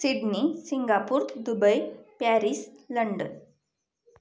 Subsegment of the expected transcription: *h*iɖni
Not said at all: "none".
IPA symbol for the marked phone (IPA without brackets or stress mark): s